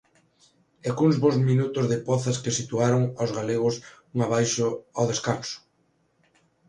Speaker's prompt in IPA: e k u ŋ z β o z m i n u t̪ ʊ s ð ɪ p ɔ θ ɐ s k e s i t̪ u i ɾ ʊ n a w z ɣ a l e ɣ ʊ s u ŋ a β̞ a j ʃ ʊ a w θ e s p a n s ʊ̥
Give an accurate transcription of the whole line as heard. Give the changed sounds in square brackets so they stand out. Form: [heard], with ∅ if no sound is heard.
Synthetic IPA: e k u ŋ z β o z m i n u t̪ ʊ [z] ð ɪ p ɔ θ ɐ s k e s i t̪ u [a] ɾ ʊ [ŋ] a w z ɣ a l e ɣ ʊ s u ŋ a β̞ a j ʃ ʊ a w [ð] e s [k] a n s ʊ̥